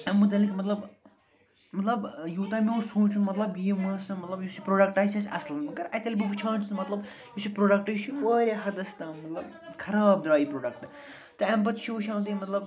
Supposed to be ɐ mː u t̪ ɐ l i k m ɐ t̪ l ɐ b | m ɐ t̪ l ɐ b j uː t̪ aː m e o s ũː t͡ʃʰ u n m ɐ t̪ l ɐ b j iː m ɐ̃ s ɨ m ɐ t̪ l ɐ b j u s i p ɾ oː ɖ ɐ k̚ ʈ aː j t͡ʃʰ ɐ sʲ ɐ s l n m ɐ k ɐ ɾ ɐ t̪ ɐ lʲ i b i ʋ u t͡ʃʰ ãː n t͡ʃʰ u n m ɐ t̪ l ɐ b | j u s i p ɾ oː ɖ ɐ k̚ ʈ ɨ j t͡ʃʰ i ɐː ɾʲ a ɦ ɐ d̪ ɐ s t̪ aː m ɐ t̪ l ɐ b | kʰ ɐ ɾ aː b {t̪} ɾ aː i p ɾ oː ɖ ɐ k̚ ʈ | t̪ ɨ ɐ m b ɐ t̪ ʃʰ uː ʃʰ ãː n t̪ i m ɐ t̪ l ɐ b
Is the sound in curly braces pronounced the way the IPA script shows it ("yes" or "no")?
no